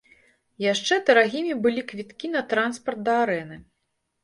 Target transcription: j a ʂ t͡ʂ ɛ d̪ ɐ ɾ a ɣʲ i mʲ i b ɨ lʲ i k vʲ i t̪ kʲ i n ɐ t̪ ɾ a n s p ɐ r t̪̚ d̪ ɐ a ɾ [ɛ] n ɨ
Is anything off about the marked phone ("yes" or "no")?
no